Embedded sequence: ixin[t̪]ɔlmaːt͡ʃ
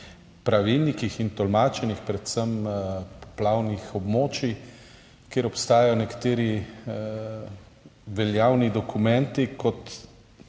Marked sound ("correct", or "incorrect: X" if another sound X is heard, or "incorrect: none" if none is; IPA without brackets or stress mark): correct